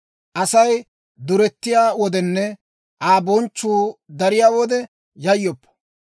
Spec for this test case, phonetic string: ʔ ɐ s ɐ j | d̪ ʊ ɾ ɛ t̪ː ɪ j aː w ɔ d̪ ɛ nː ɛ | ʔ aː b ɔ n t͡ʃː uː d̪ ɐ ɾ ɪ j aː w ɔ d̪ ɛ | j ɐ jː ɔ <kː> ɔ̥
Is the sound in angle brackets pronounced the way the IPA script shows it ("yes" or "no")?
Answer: no